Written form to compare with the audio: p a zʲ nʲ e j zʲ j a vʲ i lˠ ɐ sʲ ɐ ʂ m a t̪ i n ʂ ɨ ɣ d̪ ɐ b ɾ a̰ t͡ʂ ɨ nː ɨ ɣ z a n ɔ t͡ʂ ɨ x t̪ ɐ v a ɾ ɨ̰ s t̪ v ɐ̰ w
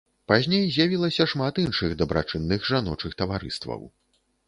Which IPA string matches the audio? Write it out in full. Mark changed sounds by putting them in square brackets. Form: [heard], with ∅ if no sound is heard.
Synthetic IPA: p a zʲ nʲ e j zʲ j a vʲ i lˠ ɐ sʲ ɐ ʂ m a t̪ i n ʂ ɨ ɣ d̪ ɐ b ɾ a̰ t͡ʂ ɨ nː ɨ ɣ [ʐ] a n ɔ t͡ʂ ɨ x t̪ ɐ v a ɾ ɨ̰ s t̪ v ɐ̰ w